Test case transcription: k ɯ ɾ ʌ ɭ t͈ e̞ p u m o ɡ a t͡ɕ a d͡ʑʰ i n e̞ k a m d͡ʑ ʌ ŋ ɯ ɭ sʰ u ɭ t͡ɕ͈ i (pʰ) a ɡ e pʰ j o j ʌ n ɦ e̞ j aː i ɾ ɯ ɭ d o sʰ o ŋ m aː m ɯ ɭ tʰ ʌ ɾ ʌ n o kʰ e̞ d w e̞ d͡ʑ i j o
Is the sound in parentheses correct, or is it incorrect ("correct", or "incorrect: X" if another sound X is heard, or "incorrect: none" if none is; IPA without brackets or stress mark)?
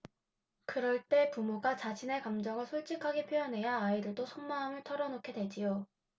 incorrect: kʰ